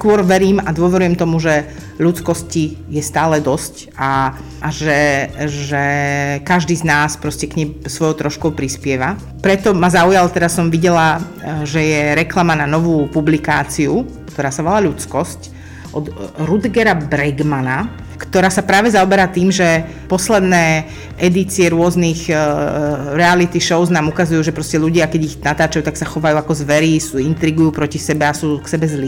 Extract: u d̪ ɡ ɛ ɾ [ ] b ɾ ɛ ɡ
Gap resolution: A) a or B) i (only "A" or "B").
A